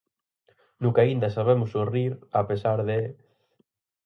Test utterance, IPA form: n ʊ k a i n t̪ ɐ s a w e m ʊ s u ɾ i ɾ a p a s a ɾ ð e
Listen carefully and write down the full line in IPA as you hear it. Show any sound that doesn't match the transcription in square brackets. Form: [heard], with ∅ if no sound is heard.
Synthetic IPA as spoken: n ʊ k a i n [d̪] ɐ s a [β] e m ʊ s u [r] i ɾ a p [e] s a ɾ ð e